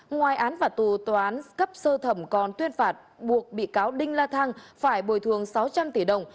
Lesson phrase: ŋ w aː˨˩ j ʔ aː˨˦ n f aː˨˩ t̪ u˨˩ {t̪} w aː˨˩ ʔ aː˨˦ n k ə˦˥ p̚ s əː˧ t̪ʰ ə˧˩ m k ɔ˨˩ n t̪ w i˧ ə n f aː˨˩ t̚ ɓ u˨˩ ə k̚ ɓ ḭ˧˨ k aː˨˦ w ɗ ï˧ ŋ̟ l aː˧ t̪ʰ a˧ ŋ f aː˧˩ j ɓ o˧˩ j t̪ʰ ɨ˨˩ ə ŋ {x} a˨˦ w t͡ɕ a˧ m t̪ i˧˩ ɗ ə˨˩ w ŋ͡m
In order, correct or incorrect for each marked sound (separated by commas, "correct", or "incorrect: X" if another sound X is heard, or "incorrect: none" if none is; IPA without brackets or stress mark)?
correct, incorrect: s